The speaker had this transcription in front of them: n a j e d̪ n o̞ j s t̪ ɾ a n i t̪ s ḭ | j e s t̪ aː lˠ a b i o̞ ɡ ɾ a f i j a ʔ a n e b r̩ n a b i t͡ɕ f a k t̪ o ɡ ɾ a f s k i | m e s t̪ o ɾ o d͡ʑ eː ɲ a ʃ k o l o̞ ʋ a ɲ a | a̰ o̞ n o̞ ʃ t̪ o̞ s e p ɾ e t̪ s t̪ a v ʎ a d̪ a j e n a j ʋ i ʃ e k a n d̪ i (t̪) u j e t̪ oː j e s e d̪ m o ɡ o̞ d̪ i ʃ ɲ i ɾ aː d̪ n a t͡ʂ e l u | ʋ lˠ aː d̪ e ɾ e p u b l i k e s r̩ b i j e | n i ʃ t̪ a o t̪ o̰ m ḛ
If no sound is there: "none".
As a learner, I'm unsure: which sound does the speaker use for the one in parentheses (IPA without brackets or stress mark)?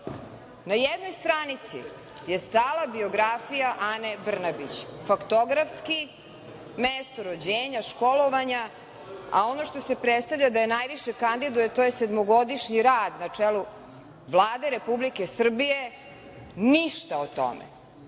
d̪